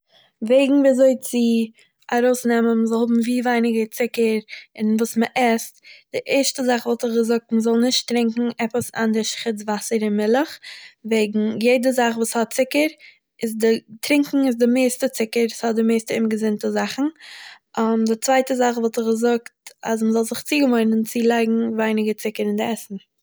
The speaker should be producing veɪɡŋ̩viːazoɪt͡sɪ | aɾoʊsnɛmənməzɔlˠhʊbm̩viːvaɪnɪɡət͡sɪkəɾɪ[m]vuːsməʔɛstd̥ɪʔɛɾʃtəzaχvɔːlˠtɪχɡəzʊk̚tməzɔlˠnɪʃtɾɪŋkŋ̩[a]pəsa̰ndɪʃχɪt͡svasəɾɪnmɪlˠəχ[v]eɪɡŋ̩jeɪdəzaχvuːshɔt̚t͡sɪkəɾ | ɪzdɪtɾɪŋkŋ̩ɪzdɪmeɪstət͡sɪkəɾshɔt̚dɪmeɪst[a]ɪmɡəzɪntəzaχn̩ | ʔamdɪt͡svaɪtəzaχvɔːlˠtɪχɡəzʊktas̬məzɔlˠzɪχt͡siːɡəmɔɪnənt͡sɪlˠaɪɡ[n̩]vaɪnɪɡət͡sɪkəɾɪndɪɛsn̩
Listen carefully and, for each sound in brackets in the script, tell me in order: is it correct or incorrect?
incorrect: n, incorrect: ɛ, correct, incorrect: ə, incorrect: ŋ̩

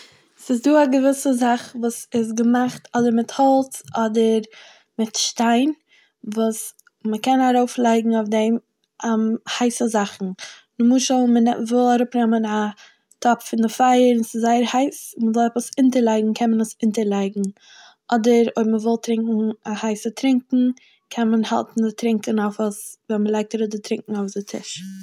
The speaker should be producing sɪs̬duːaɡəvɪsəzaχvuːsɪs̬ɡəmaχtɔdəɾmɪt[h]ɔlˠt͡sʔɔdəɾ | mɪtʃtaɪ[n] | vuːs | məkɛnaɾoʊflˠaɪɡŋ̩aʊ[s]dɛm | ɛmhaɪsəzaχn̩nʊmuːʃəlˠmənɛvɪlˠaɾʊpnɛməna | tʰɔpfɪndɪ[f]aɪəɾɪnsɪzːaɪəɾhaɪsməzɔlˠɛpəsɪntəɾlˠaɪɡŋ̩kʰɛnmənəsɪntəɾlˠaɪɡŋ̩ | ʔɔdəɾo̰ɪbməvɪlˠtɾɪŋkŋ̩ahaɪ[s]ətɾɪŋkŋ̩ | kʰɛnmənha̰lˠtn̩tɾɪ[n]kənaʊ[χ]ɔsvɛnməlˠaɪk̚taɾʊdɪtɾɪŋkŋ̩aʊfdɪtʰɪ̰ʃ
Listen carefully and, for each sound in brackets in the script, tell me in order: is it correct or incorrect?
correct, correct, incorrect: f, correct, correct, incorrect: ŋ, incorrect: f

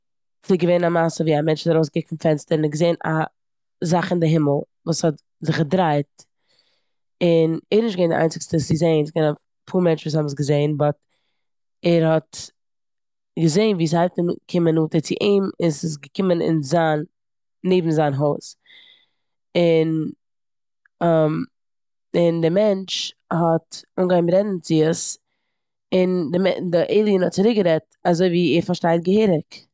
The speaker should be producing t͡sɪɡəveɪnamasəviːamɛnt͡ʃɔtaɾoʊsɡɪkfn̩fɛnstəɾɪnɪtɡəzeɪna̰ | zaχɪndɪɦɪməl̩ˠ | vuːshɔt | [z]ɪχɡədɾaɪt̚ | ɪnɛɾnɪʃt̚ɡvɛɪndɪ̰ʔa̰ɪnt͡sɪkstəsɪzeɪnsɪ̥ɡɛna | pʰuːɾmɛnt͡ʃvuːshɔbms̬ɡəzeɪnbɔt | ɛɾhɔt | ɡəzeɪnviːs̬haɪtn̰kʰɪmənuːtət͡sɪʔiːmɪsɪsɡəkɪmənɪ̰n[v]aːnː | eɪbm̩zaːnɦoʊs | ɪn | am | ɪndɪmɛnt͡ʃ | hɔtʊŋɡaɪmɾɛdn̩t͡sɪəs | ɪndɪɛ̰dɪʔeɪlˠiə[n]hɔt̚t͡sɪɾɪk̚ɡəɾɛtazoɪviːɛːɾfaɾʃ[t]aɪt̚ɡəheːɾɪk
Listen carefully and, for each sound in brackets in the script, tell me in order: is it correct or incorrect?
correct, incorrect: z, correct, correct

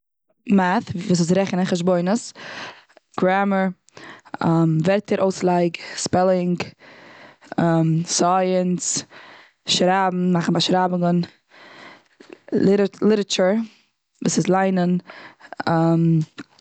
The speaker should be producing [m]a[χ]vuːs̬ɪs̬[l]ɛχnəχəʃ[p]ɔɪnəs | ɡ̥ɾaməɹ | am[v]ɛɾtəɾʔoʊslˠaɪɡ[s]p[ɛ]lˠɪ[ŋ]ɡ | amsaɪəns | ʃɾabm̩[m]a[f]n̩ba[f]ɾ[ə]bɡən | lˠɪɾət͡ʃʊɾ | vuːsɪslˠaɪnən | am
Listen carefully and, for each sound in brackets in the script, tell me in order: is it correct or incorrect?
correct, incorrect: θ, incorrect: ɾ, incorrect: b, correct, correct, correct, correct, correct, incorrect: χ, incorrect: ʃ, incorrect: a

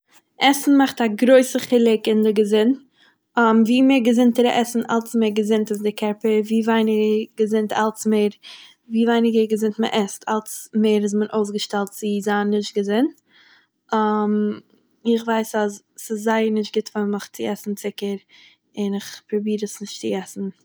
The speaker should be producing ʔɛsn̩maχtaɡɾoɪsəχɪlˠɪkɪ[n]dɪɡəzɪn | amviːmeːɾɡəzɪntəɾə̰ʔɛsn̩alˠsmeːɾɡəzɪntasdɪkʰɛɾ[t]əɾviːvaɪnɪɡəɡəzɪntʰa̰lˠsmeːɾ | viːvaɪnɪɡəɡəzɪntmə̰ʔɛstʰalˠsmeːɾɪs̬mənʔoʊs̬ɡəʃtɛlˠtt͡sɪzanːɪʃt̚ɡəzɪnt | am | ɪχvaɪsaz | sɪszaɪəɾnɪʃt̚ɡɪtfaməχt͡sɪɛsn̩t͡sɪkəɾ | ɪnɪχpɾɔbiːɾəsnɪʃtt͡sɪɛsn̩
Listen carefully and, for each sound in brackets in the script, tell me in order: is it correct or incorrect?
correct, incorrect: p

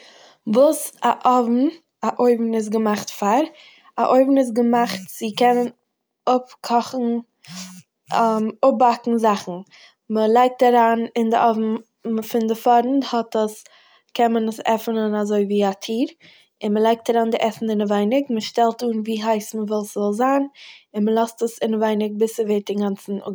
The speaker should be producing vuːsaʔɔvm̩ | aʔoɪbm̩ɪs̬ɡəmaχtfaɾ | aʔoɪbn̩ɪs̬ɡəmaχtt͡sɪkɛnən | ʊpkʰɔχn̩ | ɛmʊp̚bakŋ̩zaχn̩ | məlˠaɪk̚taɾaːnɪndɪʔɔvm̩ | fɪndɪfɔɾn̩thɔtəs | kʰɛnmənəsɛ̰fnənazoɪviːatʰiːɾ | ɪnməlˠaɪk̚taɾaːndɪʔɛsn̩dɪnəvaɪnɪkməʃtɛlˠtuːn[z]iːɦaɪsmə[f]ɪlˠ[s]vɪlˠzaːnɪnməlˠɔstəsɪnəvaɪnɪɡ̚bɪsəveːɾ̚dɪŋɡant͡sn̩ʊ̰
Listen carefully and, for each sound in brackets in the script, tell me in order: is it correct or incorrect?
incorrect: v, incorrect: v, correct

